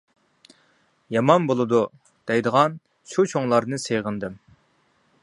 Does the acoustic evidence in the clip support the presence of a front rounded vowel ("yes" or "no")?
no